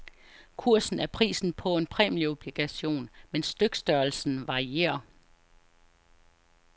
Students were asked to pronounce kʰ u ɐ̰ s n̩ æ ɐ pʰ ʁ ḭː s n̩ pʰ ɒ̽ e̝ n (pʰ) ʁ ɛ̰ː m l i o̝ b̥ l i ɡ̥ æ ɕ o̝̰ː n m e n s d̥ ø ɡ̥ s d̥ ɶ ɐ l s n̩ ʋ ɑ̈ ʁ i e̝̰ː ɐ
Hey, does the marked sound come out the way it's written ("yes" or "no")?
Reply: yes